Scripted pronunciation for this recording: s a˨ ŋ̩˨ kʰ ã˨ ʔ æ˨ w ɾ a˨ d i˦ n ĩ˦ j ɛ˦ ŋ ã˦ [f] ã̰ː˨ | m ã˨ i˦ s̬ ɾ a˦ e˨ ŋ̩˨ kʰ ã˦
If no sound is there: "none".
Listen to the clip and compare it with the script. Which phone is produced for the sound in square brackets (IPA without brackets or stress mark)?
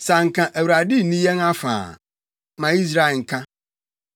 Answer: f